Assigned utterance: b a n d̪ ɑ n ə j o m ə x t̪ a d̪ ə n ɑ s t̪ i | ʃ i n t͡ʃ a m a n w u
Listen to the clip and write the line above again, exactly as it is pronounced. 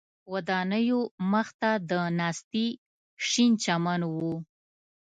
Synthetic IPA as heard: w a d̪ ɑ n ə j o m ə x t̪ a d̪ ə n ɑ s t̪ i | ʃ i n t͡ʃ a m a n w u